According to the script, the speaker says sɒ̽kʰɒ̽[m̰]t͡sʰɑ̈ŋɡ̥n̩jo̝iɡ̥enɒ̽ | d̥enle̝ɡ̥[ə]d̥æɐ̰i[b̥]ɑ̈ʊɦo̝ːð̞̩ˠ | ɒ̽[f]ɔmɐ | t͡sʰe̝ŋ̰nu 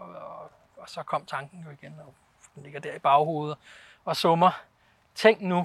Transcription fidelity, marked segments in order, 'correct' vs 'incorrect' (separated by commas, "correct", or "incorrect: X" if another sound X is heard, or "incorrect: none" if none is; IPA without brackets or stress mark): correct, incorrect: ɐ, correct, incorrect: s